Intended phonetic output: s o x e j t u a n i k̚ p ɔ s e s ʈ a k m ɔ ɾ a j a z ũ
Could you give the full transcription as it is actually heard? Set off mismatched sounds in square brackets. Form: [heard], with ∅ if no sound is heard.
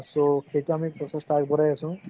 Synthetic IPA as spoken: s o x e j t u a [m] i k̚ p ɔ s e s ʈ a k [b] ɔ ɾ a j a [s] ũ